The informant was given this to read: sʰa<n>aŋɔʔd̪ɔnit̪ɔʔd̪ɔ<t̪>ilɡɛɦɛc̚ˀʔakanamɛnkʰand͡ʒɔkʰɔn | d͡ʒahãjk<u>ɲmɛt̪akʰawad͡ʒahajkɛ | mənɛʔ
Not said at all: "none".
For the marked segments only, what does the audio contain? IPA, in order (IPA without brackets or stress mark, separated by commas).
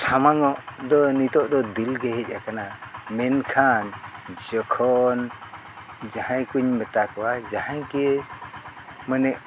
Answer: m, d̪, u